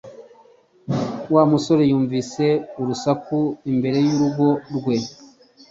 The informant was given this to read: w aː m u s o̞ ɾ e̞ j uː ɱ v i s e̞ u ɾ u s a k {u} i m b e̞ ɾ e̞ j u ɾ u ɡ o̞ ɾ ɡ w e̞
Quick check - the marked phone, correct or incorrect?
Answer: correct